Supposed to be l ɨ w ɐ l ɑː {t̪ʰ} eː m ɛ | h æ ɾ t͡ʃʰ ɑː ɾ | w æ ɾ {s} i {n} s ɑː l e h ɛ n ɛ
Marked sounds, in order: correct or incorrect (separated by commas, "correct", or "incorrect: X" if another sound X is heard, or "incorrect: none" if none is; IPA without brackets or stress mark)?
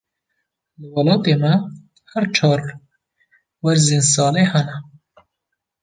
incorrect: t̪, incorrect: z, correct